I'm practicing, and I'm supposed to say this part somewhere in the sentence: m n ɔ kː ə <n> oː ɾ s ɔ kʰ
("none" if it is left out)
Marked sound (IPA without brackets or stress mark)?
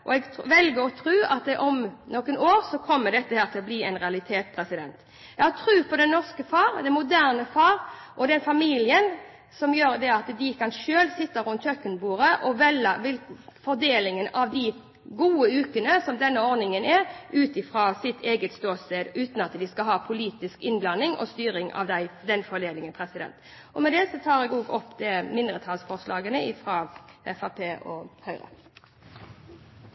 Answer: n